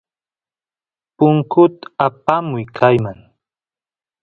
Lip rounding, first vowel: rounded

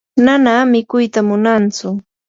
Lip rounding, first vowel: unrounded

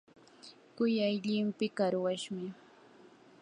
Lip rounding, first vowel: rounded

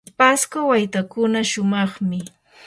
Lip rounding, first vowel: unrounded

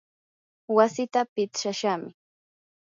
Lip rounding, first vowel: unrounded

